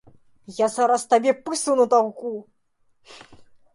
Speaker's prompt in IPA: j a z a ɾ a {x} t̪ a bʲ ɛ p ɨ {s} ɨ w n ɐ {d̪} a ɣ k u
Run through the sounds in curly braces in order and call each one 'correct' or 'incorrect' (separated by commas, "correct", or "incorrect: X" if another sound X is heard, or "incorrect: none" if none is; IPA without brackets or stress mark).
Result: incorrect: s, correct, incorrect: t̪